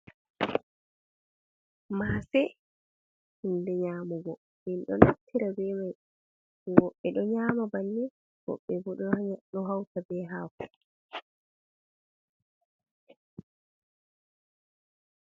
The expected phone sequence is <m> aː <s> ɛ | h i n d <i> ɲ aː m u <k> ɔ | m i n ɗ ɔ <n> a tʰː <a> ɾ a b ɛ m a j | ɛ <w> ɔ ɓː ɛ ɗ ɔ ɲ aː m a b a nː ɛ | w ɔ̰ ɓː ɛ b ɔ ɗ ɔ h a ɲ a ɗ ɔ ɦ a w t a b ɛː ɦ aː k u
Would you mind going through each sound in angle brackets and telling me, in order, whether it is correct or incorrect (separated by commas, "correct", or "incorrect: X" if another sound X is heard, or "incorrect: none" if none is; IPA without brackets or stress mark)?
correct, correct, incorrect: ɛ, incorrect: ɡ, correct, incorrect: i, correct